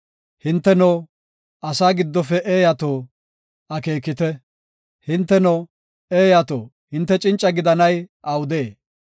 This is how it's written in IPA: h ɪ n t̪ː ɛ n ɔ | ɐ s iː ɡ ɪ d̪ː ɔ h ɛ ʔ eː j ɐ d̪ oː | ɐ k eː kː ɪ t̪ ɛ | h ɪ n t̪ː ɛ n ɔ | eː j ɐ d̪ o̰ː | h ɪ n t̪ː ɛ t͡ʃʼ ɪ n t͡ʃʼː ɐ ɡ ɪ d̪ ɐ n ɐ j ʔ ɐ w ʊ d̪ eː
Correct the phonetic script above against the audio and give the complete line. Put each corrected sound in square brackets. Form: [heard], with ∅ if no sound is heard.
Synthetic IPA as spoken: h ɪ n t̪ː ɛ n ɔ | ɐ s [aː] ɡ ɪ d̪ː ɔ [f] ɛ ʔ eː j ɐ [t̪] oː | ɐ k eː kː ɪ t̪ ɛ | h ɪ n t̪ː ɛ n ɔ | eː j ɐ [t̪] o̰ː | h ɪ n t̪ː ɛ t͡ʃʼ ɪ n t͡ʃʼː ɐ ɡ ɪ d̪ ɐ n ɐ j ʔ ɐ w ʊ d̪ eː